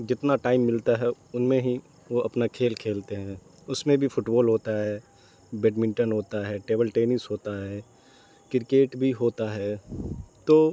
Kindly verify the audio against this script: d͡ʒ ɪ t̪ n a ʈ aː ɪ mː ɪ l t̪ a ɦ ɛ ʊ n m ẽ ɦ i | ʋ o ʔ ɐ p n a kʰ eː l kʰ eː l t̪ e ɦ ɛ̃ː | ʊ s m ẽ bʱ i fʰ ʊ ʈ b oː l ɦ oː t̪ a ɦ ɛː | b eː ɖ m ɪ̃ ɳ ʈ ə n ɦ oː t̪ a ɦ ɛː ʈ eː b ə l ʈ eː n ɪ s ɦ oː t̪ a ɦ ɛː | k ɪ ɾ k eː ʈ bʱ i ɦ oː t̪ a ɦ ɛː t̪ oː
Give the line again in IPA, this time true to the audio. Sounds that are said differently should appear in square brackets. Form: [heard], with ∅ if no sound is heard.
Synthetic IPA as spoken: d͡ʒ ɪ t̪ n a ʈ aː ɪ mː ɪ l t̪ a ɦ ɛ ʊ n m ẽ ɦ i | ʋ o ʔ ɐ p n a kʰ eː l kʰ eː l t̪ e ɦ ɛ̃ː | ʊ s m ẽ bʱ i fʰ ʊ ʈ b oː l ɦ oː t̪ a ɦ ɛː | b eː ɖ m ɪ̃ ɳ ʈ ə n ɦ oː t̪ a ɦ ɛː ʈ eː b ə l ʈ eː n ɪ s ɦ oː t̪ a ɦ ɛː | k ɪ ɾ k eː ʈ bʱ i ɦ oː t̪ a ɦ ɛː t̪ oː